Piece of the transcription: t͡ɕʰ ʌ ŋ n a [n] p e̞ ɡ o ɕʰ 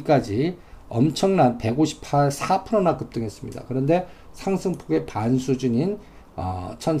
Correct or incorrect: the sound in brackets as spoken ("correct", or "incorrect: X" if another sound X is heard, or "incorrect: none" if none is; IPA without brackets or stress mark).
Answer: correct